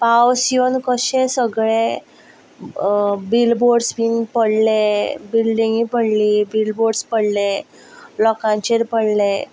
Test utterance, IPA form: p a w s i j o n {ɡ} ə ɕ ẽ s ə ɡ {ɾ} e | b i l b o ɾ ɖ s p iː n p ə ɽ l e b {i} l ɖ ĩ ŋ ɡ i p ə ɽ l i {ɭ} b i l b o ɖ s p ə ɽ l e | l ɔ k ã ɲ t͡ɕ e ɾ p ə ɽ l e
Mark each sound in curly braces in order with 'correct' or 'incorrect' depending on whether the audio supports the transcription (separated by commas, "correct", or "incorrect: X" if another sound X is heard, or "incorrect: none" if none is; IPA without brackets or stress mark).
incorrect: k, incorrect: ɭ, correct, incorrect: none